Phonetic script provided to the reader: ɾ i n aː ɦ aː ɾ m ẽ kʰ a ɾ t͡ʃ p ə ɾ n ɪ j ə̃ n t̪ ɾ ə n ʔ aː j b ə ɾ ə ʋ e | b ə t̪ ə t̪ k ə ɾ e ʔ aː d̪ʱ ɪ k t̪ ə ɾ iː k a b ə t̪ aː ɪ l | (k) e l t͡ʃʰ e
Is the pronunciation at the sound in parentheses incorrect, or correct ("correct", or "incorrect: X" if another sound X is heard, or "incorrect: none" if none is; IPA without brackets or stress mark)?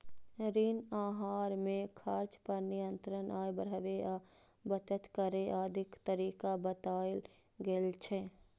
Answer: incorrect: ɡ